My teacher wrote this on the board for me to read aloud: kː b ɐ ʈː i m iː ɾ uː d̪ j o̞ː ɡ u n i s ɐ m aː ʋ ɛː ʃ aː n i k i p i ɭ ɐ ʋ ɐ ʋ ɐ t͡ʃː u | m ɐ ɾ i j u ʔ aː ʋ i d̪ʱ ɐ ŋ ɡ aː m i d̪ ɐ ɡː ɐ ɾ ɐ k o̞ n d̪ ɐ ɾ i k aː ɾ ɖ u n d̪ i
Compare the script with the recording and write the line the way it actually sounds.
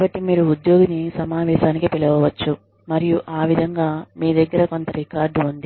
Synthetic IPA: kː b ɐ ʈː i m iː ɾ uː d̪ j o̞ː ɡ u n i s ɐ m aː ʋ ɛː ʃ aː n i k i p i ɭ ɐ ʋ ɐ ʋ ɐ t͡ʃː u | m ɐ ɾ i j u ʔ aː ʋ i d̪ʱ ɐ ŋ ɡ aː m iː d̪ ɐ ɡː ɐ ɾ ɐ k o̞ n t̪ ɐ ɾ i k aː ɾ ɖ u n d̪ i